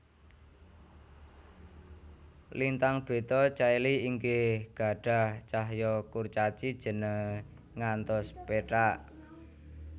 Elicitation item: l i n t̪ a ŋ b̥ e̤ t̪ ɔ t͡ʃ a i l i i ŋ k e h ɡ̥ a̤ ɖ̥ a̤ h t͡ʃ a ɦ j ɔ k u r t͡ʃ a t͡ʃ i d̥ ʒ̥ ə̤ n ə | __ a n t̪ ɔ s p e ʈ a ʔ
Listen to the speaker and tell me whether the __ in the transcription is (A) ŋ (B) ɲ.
A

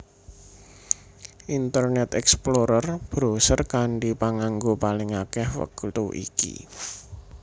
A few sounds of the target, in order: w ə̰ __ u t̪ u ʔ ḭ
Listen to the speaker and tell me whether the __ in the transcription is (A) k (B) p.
A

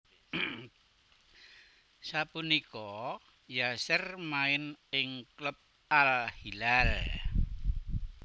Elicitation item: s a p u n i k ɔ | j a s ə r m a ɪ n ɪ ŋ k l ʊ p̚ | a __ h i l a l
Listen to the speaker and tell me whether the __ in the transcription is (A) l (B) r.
A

